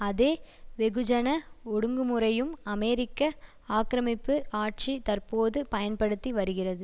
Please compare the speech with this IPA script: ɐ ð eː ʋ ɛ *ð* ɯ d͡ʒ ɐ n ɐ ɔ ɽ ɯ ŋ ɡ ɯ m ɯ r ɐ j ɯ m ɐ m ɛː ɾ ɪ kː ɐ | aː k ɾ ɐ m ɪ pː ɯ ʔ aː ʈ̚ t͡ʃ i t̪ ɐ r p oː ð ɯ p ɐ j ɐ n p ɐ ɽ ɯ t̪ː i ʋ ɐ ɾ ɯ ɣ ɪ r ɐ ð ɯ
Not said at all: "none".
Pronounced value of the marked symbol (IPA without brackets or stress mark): ɣ